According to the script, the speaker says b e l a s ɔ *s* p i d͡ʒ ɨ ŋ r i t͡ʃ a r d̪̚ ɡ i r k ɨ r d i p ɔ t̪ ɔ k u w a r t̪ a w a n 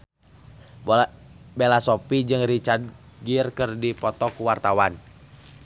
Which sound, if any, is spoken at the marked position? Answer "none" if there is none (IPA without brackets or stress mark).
none